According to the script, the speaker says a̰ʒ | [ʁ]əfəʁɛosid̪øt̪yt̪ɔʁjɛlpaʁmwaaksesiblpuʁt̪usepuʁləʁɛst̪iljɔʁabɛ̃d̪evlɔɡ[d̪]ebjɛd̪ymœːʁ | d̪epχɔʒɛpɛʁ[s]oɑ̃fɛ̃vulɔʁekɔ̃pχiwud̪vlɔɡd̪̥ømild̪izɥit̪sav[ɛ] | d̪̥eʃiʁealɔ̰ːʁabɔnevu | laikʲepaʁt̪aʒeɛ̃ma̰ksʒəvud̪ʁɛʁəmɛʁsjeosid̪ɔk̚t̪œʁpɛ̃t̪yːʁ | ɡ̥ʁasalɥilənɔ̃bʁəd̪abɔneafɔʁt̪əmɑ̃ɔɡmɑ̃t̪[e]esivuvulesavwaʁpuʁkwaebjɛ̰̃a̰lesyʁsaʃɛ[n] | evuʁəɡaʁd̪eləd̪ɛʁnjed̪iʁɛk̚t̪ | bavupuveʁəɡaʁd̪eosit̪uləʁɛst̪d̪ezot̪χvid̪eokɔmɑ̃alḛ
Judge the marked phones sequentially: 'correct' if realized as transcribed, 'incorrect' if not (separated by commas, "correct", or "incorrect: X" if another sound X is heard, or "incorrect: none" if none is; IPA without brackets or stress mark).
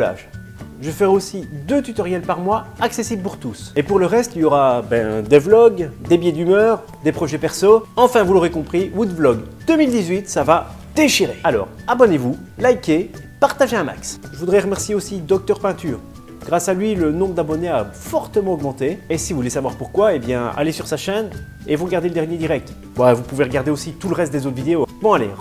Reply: incorrect: ʒ, correct, correct, incorrect: a, correct, correct